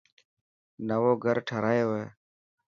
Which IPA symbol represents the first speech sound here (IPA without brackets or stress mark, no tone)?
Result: n